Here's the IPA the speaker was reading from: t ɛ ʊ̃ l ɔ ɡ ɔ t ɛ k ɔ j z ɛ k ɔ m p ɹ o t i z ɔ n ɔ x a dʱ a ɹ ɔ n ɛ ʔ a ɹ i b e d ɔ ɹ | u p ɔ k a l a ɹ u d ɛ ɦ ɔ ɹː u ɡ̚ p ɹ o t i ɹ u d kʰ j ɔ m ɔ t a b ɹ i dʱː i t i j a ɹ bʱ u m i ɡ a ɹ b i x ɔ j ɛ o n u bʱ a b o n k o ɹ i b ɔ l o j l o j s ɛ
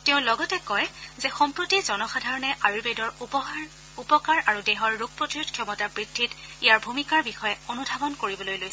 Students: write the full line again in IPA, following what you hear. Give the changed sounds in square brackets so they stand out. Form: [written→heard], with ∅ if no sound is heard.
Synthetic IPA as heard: t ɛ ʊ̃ l ɔ ɡ ɔ t ɛ k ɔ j z ɛ [k→x] ɔ m p ɹ o t i z ɔ n ɔ x a dʱ a ɹ ɔ n ɛ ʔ a ɹ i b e d ɔ ɹ | u p ɔ k a [l→ɹ] a ɹ u d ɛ ɦ ɔ ɹː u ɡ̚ p ɹ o t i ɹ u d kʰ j ɔ m ɔ t a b ɹ i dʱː i t i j a ɹ bʱ u m i [ɡ→k] a ɹ b i x ɔ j ɛ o n u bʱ a b [o→ɔ] n k o ɹ i b ɔ l o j l o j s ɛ

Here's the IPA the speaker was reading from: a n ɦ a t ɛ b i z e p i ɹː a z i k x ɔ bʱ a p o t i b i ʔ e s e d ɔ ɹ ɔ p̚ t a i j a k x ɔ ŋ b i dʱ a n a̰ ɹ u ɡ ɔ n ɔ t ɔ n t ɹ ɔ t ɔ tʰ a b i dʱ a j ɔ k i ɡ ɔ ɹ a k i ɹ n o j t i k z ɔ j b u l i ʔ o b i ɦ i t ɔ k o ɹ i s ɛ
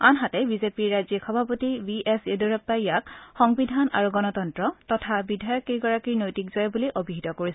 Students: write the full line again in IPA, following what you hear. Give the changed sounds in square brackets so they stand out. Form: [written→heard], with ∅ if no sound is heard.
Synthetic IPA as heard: a n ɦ a t ɛ b i z e p i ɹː a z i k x ɔ bʱ a p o t i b i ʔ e s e d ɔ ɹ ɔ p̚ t a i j a k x ɔ ŋ b i dʱ a n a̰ ɹ u ɡ ɔ n ɔ t ɔ n t ɹ ɔ t ɔ tʰ a b i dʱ a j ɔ k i ɡ ɔ ɹ a k i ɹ n o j t i k z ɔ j b u l i ʔ o b i ɦ i t ɔ k o ɹ i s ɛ

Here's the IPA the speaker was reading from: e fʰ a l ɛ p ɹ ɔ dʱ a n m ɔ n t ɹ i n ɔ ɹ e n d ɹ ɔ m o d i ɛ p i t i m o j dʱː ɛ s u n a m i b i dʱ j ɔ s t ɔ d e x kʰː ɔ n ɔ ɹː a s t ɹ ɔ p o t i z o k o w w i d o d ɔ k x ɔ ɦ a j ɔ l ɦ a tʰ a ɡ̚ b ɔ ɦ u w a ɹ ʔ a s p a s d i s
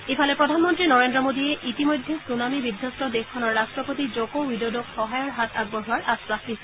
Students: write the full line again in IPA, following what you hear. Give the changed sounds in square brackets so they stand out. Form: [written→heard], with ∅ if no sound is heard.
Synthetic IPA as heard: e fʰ a l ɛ p ɹ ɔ dʱ a n m ɔ n t ɹ i n ɔ ɹ e n d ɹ ɔ m o d i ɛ [p→ʔ] i t i m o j dʱː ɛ s u n a m i b i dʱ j ɔ s t ɔ d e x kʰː ɔ n ɔ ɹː a s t ɹ ɔ p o t i z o k o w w i d o d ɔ k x ɔ ɦ a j ɔ [l→ɹ] ɦ a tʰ a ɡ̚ b ɔ ɦ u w a ɹ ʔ a s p a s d i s

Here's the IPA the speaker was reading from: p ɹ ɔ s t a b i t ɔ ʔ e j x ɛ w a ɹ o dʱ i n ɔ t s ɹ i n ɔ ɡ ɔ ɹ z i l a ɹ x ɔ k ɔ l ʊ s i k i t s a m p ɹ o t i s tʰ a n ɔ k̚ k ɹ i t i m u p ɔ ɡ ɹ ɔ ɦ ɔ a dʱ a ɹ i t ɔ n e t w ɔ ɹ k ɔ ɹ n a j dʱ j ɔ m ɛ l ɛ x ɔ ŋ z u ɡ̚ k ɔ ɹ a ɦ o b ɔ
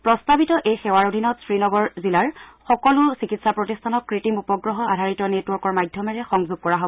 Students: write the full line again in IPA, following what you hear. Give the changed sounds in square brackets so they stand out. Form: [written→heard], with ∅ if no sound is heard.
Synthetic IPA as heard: p ɹ ɔ s t a b i t ɔ ʔ e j x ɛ w a ɹ o dʱ i n ɔ t s ɹ i n ɔ ɡ ɔ ɹ z i l a ɹ x ɔ k ɔ l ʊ s i k i t s a [m→∅] p ɹ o t i s tʰ a n ɔ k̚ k ɹ i t i m u p ɔ ɡ ɹ ɔ ɦ ɔ a dʱ a ɹ i t ɔ n e t w ɔ ɹ k ɔ ɹ [n→m] a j dʱ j ɔ m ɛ [l→ɹ] ɛ x ɔ ŋ z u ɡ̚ k ɔ ɹ a ɦ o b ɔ

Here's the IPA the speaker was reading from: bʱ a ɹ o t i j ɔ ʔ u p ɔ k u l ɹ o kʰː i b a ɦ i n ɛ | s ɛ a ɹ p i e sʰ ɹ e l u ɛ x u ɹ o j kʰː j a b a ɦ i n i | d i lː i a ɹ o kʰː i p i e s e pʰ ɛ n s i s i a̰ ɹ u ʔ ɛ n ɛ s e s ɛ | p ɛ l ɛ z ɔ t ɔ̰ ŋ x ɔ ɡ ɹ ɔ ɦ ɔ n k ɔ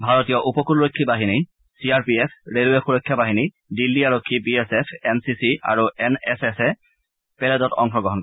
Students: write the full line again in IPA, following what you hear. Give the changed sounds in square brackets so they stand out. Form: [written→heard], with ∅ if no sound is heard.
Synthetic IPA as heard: bʱ a ɹ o t i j ɔ ʔ u p ɔ k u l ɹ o kʰː i b a ɦ i n [ɛ→i] | s [ɛ→i] a ɹ p i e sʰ ɹ e l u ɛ x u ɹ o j kʰː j a b a ɦ i n i | d i lː i a ɹ o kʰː i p i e s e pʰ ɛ n s i s i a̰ ɹ u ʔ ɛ n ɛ s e s ɛ | p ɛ l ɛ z ɔ t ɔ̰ ŋ x ɔ ɡ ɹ ɔ ɦ ɔ n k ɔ

